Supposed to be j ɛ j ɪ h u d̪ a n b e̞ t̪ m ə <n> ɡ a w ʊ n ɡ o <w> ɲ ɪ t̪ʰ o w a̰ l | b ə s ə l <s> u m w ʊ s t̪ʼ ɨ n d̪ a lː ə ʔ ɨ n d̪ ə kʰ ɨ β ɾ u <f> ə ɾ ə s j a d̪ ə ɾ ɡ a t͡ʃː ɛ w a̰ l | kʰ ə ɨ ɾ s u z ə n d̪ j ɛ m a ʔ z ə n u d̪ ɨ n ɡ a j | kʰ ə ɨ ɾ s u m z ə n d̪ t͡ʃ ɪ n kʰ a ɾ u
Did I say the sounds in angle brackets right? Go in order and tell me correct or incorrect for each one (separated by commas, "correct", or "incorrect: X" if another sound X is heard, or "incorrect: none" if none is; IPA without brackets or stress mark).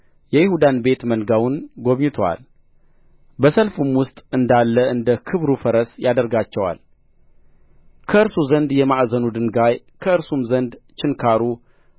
correct, incorrect: β, incorrect: f, correct